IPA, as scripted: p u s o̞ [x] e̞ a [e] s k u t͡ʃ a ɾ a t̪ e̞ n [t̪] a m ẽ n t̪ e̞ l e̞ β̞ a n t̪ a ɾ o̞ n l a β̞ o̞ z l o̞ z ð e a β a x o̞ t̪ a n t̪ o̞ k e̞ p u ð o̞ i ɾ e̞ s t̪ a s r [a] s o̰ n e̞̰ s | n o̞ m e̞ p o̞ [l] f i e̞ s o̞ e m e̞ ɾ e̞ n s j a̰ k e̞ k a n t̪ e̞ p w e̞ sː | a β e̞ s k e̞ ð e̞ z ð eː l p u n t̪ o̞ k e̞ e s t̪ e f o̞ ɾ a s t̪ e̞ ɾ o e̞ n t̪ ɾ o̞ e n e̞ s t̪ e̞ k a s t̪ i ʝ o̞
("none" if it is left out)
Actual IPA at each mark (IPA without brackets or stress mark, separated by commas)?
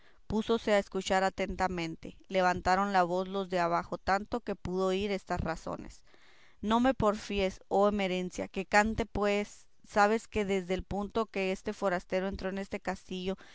s, e, t̪, a, ɾ